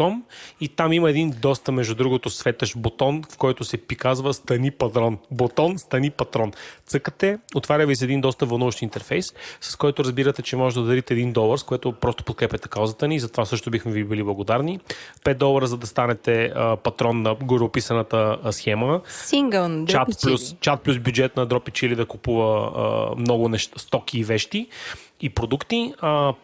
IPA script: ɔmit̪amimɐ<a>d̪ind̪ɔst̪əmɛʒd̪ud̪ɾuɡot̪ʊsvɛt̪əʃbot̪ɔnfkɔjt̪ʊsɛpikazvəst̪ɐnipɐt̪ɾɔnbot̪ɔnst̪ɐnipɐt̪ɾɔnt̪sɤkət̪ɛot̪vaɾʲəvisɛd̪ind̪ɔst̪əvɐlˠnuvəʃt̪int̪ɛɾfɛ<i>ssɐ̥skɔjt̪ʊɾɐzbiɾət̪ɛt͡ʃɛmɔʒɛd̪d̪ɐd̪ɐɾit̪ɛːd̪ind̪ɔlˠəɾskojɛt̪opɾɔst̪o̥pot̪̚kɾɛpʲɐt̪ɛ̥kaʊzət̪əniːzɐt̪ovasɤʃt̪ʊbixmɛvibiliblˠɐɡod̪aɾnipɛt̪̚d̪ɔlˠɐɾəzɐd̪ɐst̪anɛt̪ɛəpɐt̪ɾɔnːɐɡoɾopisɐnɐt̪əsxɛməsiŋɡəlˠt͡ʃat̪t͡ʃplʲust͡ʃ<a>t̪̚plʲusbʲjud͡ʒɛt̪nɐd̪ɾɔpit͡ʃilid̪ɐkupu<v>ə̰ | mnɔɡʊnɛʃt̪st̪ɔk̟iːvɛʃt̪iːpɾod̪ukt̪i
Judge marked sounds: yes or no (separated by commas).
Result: no, no, yes, yes